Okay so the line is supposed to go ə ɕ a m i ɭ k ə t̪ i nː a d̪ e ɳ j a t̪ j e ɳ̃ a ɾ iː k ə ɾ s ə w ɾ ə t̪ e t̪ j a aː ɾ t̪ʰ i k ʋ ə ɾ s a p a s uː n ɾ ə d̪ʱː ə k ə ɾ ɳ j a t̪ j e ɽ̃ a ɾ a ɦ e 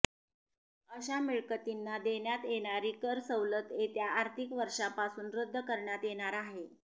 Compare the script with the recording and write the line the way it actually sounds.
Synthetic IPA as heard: ə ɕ a m i ɭ k ə t̪ i nː a d̪ e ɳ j a t̪ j e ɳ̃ a ɾ iː k ə ɾ s ə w l ə t̪ e t̪ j a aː ɾ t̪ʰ i k ʋ ə ɾ ʂ a p a s uː n ɾ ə d̪ʱː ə k ə ɾ ɳ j a t̪ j e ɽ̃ a ɾ a ɦ e